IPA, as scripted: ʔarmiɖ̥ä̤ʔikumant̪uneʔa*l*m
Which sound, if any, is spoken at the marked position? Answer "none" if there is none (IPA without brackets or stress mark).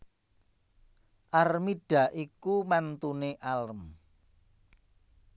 l